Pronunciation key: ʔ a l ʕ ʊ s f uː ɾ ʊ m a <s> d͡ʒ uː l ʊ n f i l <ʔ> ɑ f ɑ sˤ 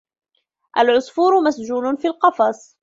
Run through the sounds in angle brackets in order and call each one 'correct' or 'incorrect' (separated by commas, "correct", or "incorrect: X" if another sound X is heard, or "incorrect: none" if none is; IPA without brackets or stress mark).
correct, incorrect: q